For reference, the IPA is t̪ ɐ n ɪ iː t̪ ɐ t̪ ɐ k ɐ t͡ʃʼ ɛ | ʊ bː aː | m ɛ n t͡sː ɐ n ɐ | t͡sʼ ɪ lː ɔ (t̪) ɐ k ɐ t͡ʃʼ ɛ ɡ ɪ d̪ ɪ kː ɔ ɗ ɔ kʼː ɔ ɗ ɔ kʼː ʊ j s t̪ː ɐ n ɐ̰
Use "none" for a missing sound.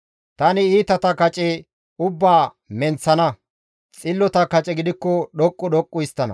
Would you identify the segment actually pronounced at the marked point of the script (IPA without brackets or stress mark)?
t̪